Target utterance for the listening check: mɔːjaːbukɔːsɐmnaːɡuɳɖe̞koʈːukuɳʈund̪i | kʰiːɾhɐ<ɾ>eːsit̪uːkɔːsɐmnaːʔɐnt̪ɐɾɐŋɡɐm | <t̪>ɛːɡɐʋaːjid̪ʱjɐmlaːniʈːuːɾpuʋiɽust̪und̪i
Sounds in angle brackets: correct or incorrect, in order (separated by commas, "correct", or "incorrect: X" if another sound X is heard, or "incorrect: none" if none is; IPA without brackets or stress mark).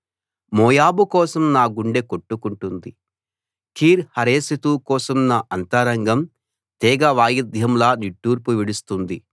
correct, correct